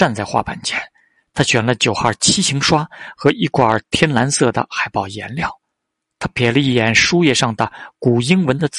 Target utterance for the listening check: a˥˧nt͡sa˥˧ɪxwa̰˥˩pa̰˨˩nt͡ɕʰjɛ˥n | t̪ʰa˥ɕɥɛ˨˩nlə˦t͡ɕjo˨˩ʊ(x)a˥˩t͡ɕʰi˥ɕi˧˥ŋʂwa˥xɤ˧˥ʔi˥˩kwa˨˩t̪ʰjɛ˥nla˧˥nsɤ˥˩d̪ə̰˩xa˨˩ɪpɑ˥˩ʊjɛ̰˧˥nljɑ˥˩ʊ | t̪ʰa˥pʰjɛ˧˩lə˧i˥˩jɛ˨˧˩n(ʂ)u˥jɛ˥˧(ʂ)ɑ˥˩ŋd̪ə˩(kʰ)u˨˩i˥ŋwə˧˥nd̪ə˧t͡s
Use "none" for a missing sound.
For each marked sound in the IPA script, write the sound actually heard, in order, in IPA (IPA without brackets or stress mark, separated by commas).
x, ʂ, ʂ, k